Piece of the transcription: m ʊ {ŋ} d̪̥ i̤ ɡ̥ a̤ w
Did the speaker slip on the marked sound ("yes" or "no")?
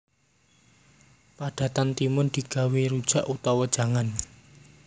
yes